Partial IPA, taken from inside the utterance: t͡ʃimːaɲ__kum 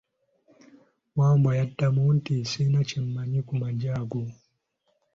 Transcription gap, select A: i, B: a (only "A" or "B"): A